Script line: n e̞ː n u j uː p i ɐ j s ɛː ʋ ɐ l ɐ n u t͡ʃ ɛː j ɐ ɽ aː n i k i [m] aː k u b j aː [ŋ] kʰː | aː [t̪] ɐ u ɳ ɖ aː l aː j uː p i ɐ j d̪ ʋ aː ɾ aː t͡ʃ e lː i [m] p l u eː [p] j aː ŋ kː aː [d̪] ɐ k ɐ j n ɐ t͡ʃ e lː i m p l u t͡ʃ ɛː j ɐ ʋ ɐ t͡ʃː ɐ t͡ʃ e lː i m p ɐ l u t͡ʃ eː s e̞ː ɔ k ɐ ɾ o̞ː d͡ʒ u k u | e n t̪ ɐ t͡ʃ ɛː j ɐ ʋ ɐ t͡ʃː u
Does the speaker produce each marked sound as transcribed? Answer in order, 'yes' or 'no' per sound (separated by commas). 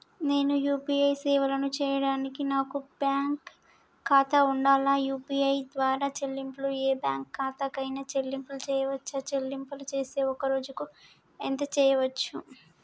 no, yes, yes, yes, no, no